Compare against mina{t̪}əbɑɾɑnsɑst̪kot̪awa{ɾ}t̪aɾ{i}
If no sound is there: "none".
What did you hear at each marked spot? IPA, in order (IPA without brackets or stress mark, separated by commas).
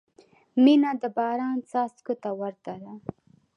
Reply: d̪, ɾ, a